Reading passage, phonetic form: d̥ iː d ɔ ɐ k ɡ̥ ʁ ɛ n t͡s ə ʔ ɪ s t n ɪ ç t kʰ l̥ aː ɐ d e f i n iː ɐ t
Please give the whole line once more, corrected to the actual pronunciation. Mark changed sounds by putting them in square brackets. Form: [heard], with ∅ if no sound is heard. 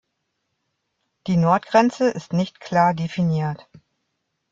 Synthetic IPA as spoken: d̥ iː [n] ɔ ɐ [t] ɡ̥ ʁ ɛ n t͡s ə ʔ ɪ s t n ɪ ç t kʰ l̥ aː ɐ d e f i n iː ɐ t

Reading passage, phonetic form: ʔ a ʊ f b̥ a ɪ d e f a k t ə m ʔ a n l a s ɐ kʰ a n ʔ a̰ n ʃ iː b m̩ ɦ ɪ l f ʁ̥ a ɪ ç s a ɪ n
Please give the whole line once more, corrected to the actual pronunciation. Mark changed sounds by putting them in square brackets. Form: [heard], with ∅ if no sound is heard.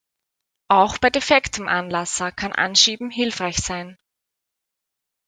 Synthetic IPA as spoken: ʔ a ʊ [x] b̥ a ɪ d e f [ɛ] k t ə m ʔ a n l a s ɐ kʰ a n ʔ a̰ n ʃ iː b m̩ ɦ ɪ l f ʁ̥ a ɪ ç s a ɪ n

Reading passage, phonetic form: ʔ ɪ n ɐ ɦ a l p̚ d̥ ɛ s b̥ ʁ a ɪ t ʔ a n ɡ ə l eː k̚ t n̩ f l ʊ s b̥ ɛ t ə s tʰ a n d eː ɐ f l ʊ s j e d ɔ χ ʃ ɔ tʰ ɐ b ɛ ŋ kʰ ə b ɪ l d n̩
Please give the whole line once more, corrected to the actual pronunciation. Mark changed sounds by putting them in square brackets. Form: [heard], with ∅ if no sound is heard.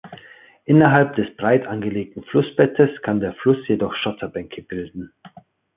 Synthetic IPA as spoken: ʔ ɪ n ɐ ɦ a l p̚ d̥ ɛ s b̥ ʁ a ɪ t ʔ a n ɡ ə l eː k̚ t n̩ f l ʊ s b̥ ɛ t ə s [kʰ] a n d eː ɐ f l ʊ s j e d ɔ χ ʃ ɔ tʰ ɐ b ɛ ŋ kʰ ə b ɪ l d n̩

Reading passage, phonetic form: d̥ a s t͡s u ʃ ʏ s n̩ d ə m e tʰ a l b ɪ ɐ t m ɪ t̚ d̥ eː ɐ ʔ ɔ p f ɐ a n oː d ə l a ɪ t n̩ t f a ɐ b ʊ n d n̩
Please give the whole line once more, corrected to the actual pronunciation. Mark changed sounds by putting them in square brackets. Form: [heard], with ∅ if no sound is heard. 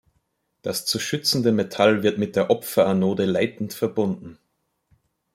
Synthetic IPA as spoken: d̥ a s t͡s u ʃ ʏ [t͡s] n̩ d ə m e tʰ a l [v] ɪ ɐ t m ɪ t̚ d̥ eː ɐ ʔ ɔ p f ɐ a n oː d ə l a ɪ t n̩ t f [ɛ] ɐ b ʊ n d n̩

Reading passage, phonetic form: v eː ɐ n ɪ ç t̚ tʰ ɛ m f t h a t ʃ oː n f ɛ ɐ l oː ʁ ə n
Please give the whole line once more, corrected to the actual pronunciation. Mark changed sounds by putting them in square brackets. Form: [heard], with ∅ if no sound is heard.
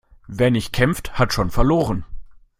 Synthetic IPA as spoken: v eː ɐ n ɪ ç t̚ [kʰ] ɛ m f t h a t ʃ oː n f ɛ ɐ l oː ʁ ə n

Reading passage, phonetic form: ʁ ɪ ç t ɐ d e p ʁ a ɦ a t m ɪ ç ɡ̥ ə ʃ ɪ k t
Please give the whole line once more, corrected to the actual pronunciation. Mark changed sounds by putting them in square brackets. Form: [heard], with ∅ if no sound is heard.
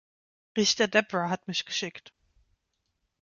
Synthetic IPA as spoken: ʁ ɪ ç t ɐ d [ɛ] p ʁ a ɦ a t m ɪ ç ɡ̥ ə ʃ ɪ k t

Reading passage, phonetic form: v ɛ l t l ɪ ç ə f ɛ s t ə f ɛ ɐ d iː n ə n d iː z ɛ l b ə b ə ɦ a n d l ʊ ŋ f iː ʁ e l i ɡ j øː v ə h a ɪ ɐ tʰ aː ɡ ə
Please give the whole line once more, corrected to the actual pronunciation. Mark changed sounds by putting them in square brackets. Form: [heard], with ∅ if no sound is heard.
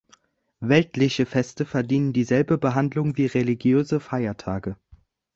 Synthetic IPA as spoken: v ɛ l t l ɪ ç ə f ɛ s t ə f ɛ ɐ d iː n ə n d iː z ɛ l b ə b ə ɦ a n d l ʊ ŋ [v] iː ʁ e l i ɡ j øː [z] ə [f] a ɪ ɐ tʰ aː ɡ ə

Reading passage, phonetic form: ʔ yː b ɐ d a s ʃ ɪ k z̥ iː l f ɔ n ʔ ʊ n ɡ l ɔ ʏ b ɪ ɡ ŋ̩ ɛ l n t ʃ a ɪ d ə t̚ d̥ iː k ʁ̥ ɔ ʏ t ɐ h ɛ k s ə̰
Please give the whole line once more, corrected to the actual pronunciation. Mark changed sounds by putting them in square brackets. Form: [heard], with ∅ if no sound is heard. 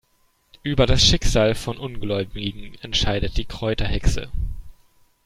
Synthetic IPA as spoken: ʔ yː b ɐ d a s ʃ ɪ k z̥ [aː] l f ɔ n ʔ ʊ n ɡ l ɔ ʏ b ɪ ɡ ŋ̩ ɛ [∅] n t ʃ a ɪ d ə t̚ d̥ iː k ʁ̥ ɔ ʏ t ɐ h ɛ k s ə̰

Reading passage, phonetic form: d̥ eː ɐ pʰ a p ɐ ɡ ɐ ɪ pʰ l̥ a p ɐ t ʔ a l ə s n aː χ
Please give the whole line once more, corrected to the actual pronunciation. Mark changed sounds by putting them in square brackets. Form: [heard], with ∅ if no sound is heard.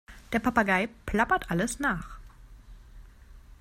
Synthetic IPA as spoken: d̥ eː ɐ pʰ a p [a] ɡ [a] ɪ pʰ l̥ a p ɐ t ʔ a l ə s n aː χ

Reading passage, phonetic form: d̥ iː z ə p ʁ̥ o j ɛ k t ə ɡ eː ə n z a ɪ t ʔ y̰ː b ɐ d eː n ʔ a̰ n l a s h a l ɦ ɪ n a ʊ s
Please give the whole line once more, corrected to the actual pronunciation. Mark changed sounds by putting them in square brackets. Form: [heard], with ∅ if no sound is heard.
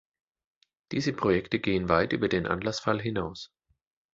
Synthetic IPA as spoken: d̥ iː z ə p ʁ̥ o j ɛ k t ə ɡ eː ə n [v] a ɪ t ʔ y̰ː b ɐ d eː n ʔ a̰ n l a s [f] a l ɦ ɪ n a ʊ s

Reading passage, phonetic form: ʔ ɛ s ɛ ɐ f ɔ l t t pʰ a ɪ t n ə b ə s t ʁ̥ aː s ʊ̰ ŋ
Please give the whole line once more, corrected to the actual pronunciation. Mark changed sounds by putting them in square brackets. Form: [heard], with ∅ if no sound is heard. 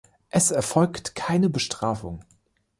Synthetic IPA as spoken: ʔ ɛ s ɛ ɐ f ɔ l [k] t [kʰ] a ɪ [∅] n ə b ə [ʃ] t ʁ̥ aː [f] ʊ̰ ŋ

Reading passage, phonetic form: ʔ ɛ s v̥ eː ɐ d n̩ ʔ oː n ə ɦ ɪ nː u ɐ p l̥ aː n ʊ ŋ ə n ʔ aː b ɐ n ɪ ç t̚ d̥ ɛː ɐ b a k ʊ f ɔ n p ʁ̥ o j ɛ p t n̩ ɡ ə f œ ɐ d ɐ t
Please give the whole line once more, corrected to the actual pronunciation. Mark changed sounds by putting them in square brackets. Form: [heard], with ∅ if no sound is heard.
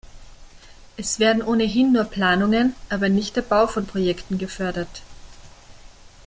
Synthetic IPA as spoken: ʔ ɛ s v̥ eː ɐ d n̩ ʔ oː n ə ɦ ɪ nː [uː] ɐ p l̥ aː n ʊ ŋ ə n ʔ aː b ɐ n ɪ ç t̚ d̥ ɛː ɐ b a [∅] ʊ f ɔ n p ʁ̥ o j ɛ [k] t n̩ ɡ ə f œ ɐ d ɐ t

